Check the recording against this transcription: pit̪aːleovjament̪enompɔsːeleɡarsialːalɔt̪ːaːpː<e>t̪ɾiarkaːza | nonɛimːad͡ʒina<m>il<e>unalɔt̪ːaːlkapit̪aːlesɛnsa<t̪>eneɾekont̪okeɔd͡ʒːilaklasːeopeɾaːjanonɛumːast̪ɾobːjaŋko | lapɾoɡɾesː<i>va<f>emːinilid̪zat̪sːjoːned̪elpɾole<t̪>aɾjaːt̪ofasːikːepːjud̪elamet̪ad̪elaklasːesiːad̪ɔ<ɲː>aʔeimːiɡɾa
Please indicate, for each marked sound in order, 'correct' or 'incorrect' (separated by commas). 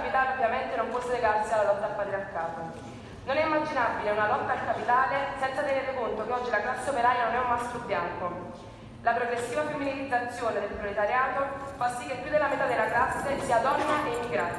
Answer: incorrect, incorrect, correct, correct, incorrect, correct, correct, incorrect